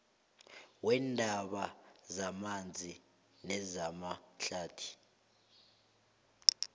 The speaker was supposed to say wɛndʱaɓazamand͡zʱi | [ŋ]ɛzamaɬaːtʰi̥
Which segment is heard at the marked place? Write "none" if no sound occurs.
n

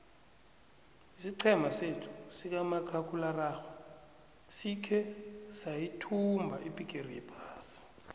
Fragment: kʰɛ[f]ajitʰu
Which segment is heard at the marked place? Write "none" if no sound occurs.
s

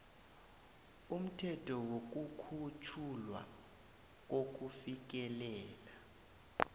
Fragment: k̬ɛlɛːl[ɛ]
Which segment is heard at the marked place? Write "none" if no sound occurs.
a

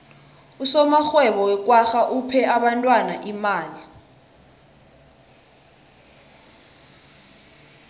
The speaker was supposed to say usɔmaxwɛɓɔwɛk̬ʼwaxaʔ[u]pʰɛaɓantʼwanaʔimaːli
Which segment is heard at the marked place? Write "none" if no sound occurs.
u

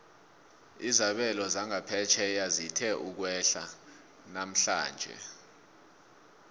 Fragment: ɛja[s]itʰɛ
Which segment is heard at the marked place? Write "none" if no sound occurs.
z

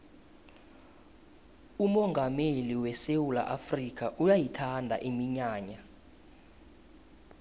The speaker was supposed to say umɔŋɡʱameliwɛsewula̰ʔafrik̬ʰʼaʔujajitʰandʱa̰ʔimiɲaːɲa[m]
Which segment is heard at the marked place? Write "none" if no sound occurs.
none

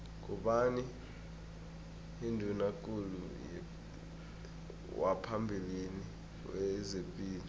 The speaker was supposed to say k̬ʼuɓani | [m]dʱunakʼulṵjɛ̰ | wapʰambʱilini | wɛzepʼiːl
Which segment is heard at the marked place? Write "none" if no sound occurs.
n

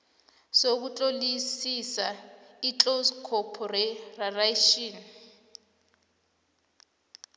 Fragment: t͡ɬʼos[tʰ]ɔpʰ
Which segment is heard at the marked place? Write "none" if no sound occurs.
kʰ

